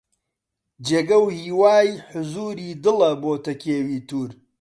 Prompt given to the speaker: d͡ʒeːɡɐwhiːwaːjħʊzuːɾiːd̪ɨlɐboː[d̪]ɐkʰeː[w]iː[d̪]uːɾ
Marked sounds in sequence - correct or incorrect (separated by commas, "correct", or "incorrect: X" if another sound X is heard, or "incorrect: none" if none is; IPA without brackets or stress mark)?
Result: incorrect: t̪, correct, incorrect: t̪